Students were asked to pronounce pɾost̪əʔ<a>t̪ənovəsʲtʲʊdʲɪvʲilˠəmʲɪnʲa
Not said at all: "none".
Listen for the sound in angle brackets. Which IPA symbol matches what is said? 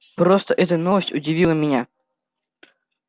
ɛ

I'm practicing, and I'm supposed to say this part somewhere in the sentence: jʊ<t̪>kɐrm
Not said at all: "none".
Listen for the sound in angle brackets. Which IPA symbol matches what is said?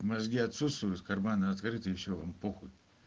t̪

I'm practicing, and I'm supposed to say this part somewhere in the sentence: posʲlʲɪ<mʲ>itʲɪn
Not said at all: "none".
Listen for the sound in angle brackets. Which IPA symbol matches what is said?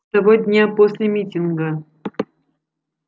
mʲ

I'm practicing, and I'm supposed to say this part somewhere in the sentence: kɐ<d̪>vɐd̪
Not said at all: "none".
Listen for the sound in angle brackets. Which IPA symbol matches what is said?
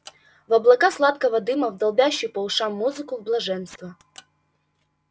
none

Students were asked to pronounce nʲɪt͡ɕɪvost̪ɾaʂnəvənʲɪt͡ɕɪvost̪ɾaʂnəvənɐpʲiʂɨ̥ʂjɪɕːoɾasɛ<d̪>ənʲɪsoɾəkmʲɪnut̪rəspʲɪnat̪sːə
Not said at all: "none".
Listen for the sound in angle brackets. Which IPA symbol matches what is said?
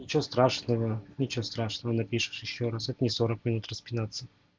t̪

